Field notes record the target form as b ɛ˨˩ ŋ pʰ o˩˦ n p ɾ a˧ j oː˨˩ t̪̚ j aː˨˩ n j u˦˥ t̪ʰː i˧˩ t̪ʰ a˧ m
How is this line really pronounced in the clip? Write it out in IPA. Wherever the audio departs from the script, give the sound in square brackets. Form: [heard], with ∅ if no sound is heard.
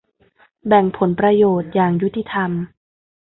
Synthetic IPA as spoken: b ɛ˨˩ ŋ pʰ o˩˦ n p ɾ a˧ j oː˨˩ t̪̚ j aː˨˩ [ŋ] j u˦˥ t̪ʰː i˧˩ t̪ʰ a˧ m